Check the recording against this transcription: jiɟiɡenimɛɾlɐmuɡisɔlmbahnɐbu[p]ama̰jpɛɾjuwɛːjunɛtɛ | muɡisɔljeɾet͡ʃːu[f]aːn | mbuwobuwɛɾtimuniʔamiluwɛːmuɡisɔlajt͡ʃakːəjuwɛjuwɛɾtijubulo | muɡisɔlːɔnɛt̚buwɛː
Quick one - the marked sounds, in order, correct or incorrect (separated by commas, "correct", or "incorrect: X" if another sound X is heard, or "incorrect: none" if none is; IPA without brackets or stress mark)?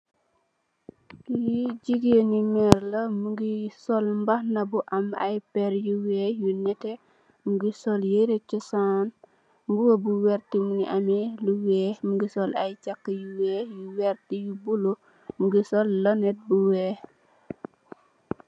incorrect: ʔ, incorrect: s